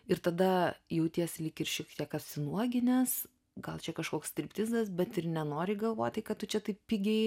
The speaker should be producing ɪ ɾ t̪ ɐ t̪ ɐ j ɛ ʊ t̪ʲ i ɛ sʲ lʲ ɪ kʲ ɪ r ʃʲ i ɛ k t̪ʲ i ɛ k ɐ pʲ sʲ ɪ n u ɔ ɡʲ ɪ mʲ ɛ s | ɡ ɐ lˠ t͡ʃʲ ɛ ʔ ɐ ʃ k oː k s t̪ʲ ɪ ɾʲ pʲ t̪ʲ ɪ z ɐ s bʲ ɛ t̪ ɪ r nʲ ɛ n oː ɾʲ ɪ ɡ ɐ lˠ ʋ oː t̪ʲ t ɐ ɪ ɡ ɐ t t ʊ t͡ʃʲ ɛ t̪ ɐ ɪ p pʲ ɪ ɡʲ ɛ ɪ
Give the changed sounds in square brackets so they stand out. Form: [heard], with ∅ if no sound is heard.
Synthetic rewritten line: ɪ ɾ t̪ ɐ [d̪] ɐ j ɛ ʊ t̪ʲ i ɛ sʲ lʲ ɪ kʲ ɪ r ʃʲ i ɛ k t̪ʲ i ɛ k ɐ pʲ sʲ ɪ n u ɔ ɡʲ ɪ [nʲ] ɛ s | ɡ ɐ lˠ t͡ʃʲ ɛ [k] ɐ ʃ k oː k s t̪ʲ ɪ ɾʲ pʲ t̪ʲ ɪ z ɐ s bʲ ɛ t̪ ɪ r nʲ ɛ n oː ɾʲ ɪ ɡ ɐ lˠ ʋ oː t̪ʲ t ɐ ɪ [k] ɐ t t ʊ t͡ʃʲ ɛ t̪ ɐ ɪ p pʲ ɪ ɡʲ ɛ ɪ